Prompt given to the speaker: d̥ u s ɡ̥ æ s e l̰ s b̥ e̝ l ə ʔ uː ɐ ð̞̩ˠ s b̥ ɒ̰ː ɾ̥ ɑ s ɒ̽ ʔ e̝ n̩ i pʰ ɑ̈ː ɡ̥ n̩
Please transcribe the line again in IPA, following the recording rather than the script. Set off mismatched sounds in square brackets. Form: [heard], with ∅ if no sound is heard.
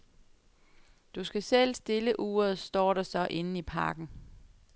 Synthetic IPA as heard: d̥ u s ɡ̥ æ s e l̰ s [d̥] e̝ l ə ʔ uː ɐ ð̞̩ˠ s [d̥] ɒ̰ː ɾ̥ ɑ s ɒ̽ ʔ e̝ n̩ i pʰ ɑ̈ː ɡ̥ n̩